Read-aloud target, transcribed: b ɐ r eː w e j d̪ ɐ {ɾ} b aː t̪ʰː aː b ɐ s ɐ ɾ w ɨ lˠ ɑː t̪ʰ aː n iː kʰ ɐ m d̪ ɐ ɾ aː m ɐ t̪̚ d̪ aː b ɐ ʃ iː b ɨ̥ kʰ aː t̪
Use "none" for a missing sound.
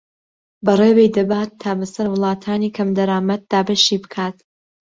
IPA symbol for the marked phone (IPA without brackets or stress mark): none